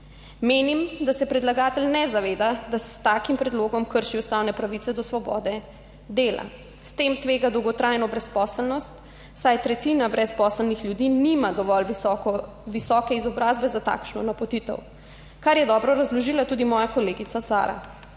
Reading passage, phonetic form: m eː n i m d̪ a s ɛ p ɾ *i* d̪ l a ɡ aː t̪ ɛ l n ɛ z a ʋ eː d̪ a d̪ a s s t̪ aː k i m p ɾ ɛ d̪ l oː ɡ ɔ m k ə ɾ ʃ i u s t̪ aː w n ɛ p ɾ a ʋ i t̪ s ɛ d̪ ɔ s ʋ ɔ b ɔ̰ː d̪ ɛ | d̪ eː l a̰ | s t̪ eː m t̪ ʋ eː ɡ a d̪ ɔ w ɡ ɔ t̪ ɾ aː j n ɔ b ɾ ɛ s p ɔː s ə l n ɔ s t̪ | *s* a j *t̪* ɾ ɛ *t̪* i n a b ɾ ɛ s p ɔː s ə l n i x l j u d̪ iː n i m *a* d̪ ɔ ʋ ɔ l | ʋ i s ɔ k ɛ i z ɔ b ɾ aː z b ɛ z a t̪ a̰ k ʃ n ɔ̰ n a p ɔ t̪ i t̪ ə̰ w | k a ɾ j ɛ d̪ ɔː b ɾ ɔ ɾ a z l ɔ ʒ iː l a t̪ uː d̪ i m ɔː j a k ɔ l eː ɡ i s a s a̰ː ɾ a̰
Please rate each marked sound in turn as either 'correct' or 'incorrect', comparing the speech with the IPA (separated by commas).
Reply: incorrect, correct, correct, correct, correct